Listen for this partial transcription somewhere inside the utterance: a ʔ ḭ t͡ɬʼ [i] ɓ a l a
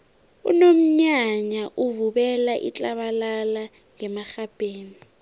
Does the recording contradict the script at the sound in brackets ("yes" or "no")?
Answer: yes